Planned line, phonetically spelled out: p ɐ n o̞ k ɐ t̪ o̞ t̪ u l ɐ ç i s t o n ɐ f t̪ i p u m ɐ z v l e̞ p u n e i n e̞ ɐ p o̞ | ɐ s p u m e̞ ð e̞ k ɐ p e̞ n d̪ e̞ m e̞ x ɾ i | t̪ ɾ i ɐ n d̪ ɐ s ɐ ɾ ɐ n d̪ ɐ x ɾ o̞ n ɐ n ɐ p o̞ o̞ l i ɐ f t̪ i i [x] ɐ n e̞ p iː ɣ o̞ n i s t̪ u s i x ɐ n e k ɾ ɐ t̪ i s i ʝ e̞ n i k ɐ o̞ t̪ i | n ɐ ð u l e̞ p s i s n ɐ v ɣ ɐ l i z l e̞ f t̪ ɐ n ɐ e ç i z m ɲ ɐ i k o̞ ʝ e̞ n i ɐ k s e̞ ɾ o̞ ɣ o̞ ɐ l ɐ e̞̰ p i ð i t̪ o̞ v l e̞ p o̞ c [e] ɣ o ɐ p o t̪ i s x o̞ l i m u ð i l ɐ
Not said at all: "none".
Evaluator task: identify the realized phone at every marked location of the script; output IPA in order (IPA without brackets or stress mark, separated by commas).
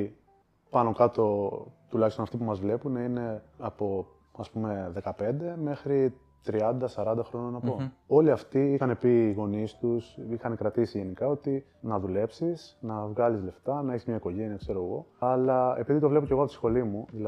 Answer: x, e